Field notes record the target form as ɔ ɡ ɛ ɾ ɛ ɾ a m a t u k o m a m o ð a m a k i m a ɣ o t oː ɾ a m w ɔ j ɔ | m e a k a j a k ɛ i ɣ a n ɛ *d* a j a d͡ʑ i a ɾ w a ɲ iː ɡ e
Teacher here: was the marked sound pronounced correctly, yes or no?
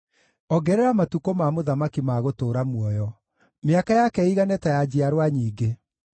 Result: no